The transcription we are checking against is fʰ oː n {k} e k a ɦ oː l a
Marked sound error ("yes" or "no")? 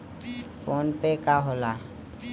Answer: yes